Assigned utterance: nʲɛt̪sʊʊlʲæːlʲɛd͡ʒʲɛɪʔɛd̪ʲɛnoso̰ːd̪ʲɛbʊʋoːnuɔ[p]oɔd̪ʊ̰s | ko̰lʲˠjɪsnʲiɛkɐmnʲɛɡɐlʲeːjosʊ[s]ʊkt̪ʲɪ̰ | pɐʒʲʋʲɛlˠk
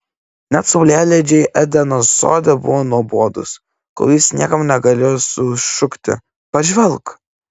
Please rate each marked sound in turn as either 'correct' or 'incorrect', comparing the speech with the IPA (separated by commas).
incorrect, incorrect